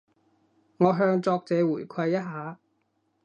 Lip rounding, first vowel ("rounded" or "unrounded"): rounded